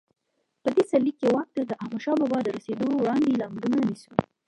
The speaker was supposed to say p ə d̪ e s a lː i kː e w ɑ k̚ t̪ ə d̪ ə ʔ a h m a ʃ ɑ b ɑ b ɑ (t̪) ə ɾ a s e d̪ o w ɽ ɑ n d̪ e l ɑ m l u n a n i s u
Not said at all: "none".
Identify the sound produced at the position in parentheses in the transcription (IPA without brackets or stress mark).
d̪